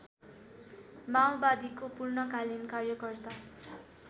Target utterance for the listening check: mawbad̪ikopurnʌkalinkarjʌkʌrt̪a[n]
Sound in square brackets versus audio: incorrect: none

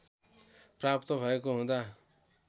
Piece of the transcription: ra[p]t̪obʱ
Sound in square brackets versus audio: correct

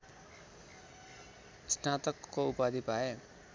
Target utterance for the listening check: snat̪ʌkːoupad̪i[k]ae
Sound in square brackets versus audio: incorrect: p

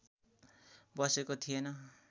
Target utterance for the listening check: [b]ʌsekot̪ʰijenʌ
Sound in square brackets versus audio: correct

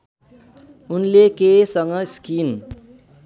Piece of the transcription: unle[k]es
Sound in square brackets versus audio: correct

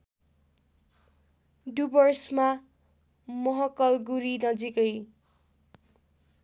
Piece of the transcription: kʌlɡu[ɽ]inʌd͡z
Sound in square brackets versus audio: incorrect: ɾ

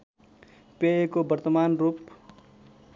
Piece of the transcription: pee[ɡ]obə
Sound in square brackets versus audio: incorrect: k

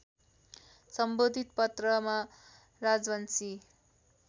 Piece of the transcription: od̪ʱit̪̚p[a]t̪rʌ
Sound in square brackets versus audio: incorrect: ʌ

